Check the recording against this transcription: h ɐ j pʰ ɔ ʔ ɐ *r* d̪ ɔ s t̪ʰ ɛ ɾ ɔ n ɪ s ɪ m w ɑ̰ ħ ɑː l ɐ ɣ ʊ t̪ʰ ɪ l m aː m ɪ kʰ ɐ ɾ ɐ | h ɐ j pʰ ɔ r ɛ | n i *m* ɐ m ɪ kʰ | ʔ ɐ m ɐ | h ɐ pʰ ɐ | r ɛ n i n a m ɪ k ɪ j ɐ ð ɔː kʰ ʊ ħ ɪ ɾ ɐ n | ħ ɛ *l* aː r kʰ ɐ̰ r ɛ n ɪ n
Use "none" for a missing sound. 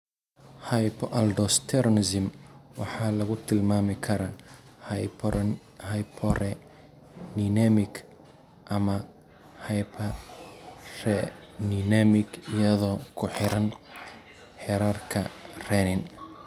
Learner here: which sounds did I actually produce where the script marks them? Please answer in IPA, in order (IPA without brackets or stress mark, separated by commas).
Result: l, n, ɾ